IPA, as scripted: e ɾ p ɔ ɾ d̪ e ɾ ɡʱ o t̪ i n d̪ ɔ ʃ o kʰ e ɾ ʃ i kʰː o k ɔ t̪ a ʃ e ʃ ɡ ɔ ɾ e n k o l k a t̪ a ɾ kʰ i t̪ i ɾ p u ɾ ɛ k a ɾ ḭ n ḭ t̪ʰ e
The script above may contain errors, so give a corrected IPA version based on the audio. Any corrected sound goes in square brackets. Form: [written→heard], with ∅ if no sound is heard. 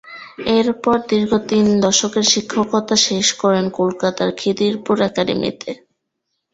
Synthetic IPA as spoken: e ɾ p ɔ ɾ d̪ [e→i] ɾ ɡʱ o t̪ i n d̪ ɔ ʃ o [kʰ→k] e ɾ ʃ i kʰː o k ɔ t̪ a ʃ e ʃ [ɡ→k] ɔ ɾ e n k o l k a t̪ a ɾ kʰ i [t̪→d̪] i ɾ p u ɾ ɛ k a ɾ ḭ [n→m] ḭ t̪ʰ e